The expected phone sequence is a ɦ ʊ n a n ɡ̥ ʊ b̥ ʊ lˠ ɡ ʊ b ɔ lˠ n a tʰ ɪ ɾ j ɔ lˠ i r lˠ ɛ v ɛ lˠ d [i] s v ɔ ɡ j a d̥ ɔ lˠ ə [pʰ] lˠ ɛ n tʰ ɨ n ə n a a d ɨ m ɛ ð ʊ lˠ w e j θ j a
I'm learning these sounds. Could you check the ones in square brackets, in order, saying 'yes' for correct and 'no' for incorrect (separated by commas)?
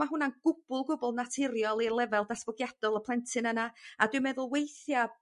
no, yes